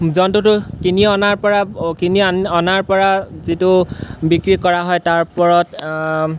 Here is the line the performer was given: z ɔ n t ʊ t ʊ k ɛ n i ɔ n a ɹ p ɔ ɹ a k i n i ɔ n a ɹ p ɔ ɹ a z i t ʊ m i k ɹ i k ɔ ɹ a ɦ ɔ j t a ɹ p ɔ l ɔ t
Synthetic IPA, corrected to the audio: z ɔ n t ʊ t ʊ k i n i ɔ n a ɹ p ɔ ɹ a k i n i ɔ n a ɹ p ɔ ɹ a z i t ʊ b i k ɹ i k ɔ ɹ a ɦ ɔ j t a ɹ p ɔ ɹ ɔ t